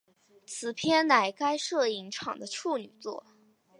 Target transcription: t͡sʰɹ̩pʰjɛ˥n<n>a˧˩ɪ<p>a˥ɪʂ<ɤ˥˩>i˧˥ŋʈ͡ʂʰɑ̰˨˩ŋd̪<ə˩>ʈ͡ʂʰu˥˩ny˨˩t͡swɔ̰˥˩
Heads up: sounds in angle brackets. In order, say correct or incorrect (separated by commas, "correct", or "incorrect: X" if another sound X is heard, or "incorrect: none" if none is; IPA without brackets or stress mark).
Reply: correct, incorrect: k, correct, incorrect: ə˦